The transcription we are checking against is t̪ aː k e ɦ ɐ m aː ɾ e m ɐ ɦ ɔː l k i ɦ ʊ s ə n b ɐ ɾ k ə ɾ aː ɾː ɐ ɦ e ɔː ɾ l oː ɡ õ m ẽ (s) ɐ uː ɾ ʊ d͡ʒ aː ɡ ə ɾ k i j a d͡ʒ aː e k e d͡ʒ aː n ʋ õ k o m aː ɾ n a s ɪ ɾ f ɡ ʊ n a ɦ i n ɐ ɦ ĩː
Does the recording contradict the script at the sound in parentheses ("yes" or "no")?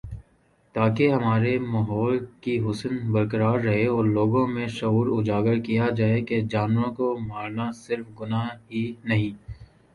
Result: yes